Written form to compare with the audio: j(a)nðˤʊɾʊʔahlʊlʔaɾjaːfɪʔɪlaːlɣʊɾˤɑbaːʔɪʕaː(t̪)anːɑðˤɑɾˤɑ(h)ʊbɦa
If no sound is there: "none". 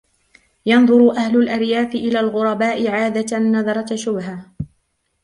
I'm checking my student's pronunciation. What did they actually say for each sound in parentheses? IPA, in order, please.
ɑ, d̪, ʃ

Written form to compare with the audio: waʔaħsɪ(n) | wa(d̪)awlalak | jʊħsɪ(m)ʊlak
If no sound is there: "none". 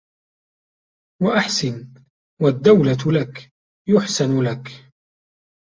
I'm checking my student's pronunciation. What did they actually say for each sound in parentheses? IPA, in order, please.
n, d̪ː, n

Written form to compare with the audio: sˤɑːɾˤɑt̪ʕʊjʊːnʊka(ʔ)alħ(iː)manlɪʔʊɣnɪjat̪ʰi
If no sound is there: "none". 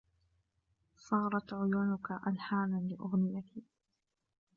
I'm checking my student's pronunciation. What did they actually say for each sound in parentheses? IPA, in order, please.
ʔ, aː

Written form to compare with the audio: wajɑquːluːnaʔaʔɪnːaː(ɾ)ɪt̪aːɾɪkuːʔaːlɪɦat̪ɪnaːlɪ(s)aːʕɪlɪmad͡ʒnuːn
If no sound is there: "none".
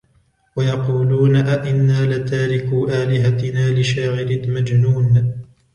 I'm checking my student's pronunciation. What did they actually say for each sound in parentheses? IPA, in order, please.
l, ʃ

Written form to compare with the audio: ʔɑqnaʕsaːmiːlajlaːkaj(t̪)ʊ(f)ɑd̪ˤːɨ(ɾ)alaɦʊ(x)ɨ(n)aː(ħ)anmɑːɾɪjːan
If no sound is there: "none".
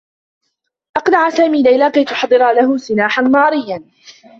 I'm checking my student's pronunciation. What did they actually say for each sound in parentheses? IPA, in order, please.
t̪, ħ, ɾ, s, n, ħ

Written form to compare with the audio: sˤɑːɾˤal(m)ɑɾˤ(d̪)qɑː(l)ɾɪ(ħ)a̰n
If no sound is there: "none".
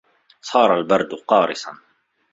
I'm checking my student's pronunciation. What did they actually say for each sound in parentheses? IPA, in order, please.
b, d̪, none, s

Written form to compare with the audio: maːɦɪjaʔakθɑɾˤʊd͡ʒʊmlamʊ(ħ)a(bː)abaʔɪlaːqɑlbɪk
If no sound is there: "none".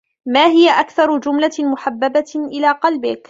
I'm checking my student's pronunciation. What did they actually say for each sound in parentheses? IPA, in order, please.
ħ, bː

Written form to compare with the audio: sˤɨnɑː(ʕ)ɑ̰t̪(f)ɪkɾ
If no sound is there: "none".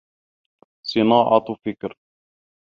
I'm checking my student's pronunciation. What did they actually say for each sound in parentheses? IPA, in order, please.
ʕ, f

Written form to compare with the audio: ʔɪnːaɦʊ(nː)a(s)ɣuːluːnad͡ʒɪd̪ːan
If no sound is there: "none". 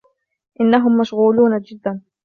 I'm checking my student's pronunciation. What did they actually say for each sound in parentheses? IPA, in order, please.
mː, ʃ

